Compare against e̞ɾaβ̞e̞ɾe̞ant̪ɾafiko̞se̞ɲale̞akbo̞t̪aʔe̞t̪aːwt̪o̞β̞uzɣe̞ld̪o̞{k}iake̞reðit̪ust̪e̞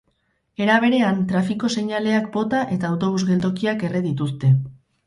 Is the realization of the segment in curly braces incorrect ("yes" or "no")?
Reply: no